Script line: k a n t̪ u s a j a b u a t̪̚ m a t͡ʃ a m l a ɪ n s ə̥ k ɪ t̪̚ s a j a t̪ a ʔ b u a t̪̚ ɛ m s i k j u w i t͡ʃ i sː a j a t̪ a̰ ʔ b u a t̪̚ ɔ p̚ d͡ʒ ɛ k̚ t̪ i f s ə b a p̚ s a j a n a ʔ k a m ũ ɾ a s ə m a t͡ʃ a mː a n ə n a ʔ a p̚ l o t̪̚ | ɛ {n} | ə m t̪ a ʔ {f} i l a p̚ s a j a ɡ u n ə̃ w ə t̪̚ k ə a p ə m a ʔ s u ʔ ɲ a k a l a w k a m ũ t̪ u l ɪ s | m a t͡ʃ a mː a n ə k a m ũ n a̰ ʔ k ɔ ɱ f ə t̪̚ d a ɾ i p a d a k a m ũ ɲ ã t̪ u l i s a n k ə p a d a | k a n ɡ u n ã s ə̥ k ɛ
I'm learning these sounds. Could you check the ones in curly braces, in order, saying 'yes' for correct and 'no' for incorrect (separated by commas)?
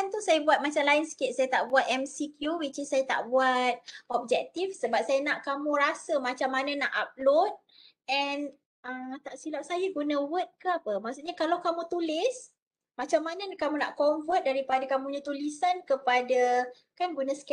yes, no